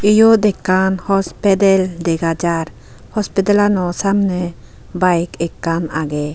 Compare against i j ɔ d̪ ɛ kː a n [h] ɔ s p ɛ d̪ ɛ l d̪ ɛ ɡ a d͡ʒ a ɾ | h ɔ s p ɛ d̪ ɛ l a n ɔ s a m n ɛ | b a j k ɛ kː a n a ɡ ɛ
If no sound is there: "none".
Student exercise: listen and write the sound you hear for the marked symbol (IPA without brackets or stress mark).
h